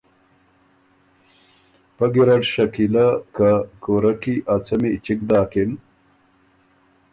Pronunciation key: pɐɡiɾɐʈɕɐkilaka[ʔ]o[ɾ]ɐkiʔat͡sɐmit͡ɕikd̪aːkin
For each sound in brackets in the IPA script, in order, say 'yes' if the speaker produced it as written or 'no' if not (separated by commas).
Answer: no, yes